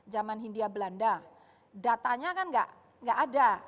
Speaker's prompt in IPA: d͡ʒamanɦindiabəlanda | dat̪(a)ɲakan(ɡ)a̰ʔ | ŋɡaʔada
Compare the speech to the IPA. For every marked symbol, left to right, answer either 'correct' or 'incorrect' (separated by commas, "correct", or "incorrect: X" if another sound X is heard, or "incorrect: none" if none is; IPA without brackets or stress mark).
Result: correct, correct